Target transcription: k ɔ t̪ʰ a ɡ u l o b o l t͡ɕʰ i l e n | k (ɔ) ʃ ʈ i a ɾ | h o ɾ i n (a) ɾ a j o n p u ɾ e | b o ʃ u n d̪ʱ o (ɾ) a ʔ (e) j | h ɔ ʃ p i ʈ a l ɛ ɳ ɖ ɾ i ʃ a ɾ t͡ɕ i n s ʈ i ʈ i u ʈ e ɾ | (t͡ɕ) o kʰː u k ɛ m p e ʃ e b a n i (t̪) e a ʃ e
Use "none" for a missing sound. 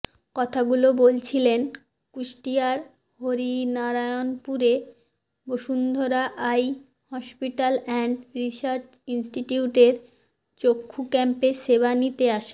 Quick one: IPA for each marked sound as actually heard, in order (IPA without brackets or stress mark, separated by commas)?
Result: u, a, ɾ, a, t͡ɕ, t̪